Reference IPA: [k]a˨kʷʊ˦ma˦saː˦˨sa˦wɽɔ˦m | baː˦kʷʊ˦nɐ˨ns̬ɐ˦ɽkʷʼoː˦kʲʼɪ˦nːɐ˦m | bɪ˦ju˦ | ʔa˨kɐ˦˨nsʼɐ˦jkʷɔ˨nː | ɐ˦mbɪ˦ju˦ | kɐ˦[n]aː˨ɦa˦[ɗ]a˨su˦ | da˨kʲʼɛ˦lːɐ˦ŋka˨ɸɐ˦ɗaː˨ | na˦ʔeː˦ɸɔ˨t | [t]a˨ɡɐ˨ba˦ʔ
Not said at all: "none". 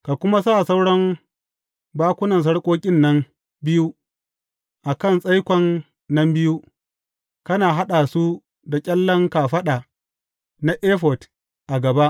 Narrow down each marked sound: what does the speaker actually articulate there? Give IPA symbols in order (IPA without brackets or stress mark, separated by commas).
k, n, ɗ, ʔ